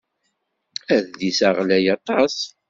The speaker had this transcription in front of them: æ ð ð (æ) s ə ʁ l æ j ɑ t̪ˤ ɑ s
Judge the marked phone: incorrect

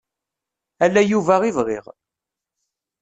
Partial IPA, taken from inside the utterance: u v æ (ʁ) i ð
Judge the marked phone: correct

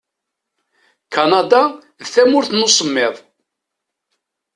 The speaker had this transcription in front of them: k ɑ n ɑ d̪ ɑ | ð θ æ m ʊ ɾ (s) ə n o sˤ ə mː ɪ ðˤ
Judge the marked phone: incorrect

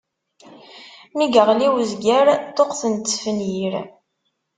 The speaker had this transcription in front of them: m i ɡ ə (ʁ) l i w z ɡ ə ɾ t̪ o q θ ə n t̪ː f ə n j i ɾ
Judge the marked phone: correct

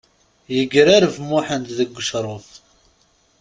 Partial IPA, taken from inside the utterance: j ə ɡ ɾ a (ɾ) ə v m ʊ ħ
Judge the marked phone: correct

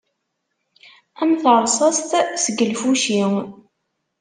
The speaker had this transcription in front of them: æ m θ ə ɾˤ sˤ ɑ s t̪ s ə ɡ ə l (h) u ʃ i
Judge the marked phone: incorrect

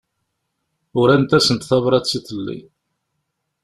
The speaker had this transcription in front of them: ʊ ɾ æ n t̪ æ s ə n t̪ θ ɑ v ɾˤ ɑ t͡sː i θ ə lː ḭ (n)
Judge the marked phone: incorrect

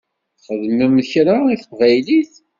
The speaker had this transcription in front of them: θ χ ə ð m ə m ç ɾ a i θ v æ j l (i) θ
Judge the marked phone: correct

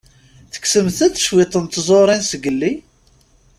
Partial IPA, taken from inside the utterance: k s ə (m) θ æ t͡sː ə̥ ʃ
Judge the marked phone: correct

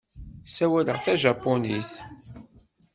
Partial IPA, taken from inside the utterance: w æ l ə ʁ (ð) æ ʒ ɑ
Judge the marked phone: incorrect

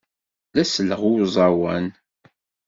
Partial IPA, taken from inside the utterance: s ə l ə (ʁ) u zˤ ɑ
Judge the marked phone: correct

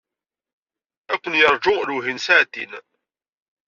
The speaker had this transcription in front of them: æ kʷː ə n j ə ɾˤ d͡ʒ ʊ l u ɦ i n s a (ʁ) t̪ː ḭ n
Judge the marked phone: incorrect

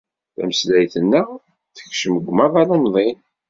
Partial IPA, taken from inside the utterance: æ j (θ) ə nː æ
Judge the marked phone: correct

